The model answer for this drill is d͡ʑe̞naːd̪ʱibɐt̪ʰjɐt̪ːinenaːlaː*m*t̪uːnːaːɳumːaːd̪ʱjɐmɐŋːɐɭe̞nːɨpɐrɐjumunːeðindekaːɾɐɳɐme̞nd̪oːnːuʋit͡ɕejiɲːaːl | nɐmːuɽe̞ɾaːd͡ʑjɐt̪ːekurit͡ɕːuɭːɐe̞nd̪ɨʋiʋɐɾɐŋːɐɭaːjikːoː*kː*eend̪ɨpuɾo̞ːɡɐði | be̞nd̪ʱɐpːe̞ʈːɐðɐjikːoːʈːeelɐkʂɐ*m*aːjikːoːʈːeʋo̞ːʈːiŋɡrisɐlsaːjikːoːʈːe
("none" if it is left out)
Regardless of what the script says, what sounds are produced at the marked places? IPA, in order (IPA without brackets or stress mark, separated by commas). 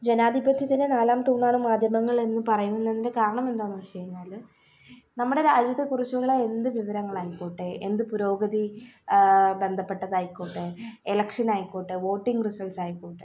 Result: m, ʈː, n